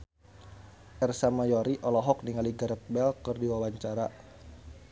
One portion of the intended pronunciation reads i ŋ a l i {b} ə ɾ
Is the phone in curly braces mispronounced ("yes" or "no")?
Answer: yes